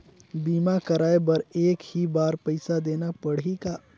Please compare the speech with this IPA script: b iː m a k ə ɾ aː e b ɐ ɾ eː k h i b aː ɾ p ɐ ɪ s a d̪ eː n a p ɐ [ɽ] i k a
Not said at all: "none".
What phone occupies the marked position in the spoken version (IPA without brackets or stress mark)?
ɽ